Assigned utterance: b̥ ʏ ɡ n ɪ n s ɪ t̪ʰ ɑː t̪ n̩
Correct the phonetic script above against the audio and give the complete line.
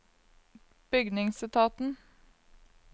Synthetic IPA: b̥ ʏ ɡ n ɪ ŋ s ɪ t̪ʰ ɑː t̪ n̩